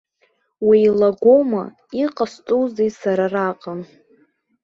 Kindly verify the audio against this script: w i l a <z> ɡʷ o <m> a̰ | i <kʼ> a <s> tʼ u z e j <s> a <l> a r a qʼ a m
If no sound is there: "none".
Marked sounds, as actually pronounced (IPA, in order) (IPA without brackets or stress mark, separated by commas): none, m, qʼ, s, s, ɾ